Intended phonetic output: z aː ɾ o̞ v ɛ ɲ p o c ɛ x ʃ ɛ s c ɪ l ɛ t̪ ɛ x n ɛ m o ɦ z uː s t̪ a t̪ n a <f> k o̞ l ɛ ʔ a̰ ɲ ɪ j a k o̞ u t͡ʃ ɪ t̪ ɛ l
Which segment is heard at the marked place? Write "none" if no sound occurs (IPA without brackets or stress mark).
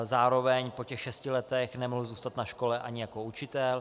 ʃ